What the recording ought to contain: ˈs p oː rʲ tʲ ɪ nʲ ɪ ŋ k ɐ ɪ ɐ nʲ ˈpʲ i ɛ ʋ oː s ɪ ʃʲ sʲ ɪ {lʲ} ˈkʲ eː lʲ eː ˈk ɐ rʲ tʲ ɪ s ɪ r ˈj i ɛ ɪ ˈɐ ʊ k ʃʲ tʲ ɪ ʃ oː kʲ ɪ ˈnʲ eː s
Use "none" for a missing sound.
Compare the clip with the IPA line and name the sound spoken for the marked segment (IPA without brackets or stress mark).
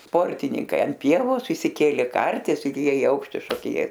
none